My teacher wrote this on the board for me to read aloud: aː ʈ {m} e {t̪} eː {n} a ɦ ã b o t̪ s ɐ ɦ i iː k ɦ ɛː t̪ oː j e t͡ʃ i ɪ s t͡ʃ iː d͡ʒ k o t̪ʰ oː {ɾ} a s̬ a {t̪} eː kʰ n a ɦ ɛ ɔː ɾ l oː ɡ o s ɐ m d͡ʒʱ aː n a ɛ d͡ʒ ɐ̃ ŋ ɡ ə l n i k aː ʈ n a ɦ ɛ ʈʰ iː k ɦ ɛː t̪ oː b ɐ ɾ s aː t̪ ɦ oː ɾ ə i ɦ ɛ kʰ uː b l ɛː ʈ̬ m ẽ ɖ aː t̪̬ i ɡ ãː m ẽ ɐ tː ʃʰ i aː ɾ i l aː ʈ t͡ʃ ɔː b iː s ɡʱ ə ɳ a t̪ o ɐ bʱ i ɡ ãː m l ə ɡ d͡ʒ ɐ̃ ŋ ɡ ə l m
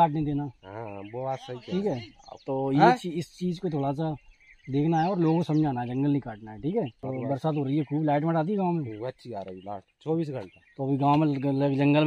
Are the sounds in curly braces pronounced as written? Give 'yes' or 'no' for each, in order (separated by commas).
no, no, yes, no, no